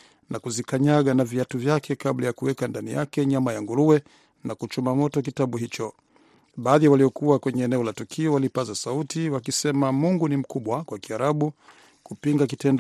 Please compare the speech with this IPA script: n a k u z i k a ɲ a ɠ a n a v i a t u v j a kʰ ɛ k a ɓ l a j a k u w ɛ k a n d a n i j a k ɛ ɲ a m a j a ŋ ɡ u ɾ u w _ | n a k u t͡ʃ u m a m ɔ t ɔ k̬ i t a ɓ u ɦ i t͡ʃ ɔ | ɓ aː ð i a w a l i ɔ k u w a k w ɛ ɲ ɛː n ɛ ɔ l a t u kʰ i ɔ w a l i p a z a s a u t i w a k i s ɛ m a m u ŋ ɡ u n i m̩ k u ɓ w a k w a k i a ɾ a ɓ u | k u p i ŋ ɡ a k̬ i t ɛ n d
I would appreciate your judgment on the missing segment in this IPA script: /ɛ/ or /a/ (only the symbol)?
ɛ